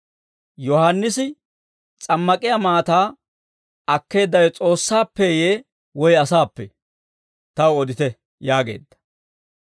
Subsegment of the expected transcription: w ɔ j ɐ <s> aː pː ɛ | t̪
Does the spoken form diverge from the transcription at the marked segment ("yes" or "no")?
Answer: no